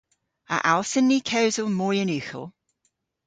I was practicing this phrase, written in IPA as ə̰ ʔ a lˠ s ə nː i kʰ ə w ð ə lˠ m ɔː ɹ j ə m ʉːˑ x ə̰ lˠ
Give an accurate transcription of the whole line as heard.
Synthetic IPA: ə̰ ʔ a lˠ s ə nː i kʰ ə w z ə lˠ m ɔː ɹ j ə n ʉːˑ x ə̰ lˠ